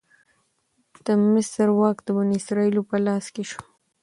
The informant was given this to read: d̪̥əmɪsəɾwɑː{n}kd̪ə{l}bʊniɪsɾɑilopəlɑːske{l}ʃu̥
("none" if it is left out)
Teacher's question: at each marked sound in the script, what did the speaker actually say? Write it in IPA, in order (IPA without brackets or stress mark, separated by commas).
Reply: none, none, none